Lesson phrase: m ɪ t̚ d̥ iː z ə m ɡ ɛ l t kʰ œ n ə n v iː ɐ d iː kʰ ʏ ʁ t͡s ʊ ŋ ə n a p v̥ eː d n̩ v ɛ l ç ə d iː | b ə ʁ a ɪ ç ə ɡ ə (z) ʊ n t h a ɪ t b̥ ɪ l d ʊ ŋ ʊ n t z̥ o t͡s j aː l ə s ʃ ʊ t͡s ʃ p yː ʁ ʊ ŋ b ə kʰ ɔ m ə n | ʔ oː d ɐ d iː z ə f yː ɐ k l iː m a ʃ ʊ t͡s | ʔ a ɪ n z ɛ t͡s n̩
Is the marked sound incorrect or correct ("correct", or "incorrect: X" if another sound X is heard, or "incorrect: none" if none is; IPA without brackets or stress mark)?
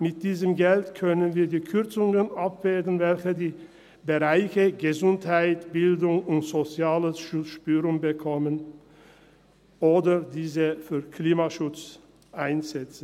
correct